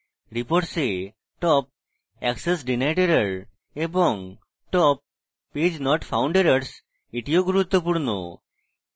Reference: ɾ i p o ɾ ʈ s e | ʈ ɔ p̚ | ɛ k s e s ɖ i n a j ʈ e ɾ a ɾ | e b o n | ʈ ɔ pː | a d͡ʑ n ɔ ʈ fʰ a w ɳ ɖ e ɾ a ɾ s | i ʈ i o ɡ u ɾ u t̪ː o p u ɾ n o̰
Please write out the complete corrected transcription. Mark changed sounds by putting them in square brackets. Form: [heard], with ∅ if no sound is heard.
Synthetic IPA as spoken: ɾ i p o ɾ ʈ s e | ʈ ɔ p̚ | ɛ k s e s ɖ i n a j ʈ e ɾ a ɾ | e b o [ŋ] | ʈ ɔ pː | [e] d͡ʑ n ɔ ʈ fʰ a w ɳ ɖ e ɾ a ɾ s | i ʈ i o ɡ u ɾ u t̪ː o p u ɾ n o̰